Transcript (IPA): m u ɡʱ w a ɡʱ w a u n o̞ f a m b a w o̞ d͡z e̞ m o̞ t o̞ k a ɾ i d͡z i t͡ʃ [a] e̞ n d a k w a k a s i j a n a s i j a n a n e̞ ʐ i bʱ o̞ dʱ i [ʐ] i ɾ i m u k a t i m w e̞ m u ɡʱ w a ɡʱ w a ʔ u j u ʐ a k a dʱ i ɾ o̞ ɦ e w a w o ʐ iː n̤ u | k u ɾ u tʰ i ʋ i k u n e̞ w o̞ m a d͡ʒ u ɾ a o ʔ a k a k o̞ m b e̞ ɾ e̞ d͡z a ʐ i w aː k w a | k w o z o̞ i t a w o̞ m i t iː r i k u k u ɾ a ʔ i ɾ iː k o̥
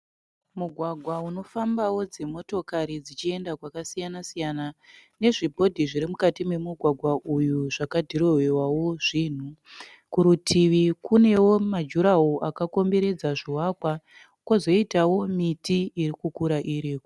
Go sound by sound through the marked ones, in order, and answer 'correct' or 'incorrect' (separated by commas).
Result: incorrect, correct